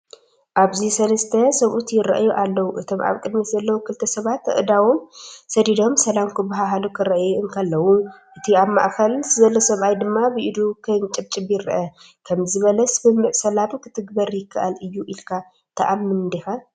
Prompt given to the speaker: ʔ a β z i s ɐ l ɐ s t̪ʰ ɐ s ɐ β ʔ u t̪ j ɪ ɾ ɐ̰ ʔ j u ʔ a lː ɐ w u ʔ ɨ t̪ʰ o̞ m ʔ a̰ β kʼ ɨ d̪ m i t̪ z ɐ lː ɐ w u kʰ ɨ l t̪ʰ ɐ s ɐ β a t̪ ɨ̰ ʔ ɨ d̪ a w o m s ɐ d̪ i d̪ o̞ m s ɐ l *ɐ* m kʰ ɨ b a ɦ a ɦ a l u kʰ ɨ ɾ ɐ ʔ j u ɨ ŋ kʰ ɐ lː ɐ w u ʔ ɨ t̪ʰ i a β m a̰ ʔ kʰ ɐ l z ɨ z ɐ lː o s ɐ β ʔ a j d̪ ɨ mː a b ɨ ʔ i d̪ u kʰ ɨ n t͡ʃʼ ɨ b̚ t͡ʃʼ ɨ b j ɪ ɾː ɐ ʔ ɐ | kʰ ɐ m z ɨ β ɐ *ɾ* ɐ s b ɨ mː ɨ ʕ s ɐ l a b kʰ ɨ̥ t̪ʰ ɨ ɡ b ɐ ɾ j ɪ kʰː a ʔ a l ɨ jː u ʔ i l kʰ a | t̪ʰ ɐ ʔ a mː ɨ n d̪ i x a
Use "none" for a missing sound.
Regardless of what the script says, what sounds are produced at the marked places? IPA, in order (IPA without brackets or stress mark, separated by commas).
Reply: a, l